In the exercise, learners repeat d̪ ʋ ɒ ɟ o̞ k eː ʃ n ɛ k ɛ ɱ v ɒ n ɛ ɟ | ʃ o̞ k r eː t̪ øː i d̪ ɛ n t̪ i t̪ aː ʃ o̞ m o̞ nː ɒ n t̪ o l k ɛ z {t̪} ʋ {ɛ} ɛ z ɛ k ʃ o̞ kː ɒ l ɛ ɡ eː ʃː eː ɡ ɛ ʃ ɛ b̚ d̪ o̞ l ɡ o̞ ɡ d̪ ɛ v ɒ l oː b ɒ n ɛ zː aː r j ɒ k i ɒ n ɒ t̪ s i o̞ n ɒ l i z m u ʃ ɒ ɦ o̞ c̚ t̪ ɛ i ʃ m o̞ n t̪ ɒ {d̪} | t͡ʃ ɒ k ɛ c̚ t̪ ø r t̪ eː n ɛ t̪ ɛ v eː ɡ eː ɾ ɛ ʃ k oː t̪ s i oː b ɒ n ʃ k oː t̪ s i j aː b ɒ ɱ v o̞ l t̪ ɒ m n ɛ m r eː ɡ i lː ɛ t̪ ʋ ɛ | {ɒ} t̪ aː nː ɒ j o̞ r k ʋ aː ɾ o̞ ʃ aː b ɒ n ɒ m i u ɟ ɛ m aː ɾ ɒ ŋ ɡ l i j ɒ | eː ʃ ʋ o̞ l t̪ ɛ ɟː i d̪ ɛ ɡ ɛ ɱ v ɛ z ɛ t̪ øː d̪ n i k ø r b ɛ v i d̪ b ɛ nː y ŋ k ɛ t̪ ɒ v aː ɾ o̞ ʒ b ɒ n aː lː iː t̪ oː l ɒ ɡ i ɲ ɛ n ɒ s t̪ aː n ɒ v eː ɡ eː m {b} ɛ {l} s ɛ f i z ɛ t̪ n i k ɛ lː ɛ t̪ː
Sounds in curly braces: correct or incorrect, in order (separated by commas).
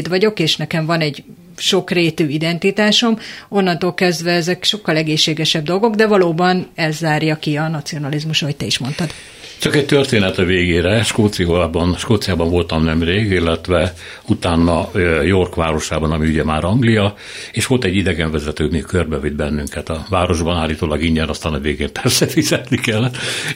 incorrect, correct, correct, incorrect, incorrect, incorrect